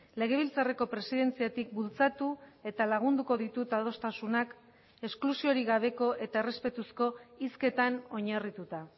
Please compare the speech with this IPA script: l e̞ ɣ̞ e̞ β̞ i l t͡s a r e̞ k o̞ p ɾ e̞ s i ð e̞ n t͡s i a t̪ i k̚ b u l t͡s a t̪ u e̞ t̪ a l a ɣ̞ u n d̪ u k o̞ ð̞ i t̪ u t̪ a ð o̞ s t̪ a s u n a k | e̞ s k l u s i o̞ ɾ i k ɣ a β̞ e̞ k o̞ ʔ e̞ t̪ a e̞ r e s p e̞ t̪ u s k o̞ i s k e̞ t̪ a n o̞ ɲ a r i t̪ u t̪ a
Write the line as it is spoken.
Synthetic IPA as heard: l e̞ ɣ̞ e̞ β̞ i l t͡s a r e̞ k o̞ p ɾ e̞ s i ð e̞ n t͡s i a t̪ i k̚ b u l t͡s a t̪ u e̞ t̪ a l a ɣ̞ u n d̪ u k o̞ ð̞ i t̪ u t̪ a ð o̞ s t̪ a s u n a k | e̞ s k l u s i o̞ ɾ i ɣ a β̞ e̞ k o̞ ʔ e̞ t̪ a e̞ r e s p e̞ t̪ u s k o̞ i s k e̞ t̪ a n o̞ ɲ a r i t̪ u t̪ a